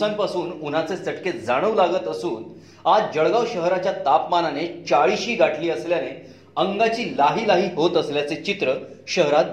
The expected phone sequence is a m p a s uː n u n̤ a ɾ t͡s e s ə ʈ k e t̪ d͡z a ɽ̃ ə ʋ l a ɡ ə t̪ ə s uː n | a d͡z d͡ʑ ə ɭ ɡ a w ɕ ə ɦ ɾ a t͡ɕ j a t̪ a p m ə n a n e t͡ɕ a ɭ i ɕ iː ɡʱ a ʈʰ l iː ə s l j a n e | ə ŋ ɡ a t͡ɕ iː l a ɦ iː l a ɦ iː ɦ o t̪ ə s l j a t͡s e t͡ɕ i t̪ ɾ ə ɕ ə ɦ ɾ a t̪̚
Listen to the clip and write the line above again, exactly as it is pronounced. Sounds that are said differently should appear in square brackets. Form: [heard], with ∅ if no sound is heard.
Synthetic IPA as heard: a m p a s uː n u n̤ a [∅] t͡s e s ə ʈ k e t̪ d͡z a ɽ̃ ə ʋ l a ɡ ə t̪ ə s uː n | a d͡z d͡ʑ ə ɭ ɡ a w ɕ ə ɦ ɾ a t͡ɕ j a t̪ a p m [a] n a n e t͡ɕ a ɭ i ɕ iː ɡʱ a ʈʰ l iː ə s l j a n e | ə ŋ ɡ a t͡ɕ iː l a ɦ iː l a ɦ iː ɦ o t̪ ə s l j a t͡s e t͡ɕ i t̪ ɾ ə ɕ ə ɦ ɾ a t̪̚